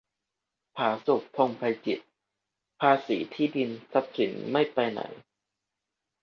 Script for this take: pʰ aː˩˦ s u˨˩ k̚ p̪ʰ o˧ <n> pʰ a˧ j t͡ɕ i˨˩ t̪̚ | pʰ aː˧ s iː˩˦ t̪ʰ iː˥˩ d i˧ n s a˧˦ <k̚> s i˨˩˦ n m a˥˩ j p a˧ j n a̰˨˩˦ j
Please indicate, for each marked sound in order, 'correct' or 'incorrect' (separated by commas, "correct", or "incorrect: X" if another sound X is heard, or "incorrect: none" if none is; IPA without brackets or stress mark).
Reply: incorrect: ŋ, incorrect: p̚